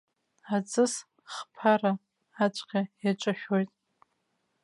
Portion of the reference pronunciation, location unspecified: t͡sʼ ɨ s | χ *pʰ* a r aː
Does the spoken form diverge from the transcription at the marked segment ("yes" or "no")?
no